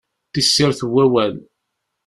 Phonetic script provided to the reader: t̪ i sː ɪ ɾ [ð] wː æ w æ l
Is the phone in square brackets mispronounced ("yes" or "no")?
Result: yes